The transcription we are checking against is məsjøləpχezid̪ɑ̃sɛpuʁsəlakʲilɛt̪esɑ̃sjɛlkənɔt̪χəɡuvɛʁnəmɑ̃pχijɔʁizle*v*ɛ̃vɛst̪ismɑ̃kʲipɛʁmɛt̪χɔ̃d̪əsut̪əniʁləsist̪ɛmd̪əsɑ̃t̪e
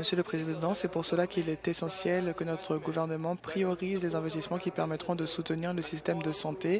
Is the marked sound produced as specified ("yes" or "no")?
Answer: no